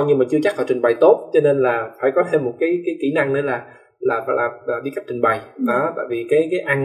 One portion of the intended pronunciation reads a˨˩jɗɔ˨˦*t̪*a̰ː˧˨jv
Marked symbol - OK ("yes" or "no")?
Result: yes